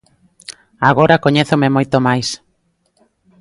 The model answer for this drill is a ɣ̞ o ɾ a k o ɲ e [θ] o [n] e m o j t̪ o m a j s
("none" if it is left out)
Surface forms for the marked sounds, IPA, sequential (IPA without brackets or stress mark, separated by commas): θ, m